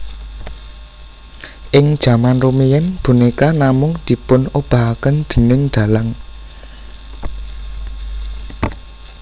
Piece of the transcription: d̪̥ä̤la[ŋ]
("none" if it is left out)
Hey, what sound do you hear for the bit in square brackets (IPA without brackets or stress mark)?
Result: ŋ